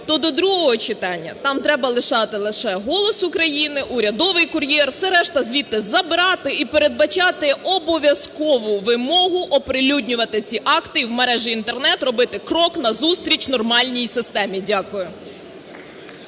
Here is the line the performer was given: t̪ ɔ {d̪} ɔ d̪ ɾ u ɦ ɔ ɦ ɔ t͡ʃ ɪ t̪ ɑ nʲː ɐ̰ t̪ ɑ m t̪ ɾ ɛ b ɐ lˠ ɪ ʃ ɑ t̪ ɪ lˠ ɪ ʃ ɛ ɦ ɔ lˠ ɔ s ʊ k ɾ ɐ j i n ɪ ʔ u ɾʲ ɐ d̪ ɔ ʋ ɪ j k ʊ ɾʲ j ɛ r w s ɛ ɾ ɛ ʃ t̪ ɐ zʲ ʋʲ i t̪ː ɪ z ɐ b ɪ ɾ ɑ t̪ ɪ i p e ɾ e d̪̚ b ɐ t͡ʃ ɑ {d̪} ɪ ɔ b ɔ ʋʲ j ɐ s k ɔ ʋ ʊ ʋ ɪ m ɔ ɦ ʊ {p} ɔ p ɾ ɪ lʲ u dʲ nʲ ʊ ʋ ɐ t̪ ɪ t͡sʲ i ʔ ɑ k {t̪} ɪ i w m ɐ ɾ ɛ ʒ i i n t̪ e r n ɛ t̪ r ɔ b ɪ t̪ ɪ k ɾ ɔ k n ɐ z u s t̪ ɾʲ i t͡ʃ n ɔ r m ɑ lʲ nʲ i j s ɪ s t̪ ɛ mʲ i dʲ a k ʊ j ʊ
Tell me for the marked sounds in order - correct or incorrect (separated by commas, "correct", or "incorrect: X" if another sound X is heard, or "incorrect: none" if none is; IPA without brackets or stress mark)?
correct, incorrect: t̪, incorrect: ʔ, correct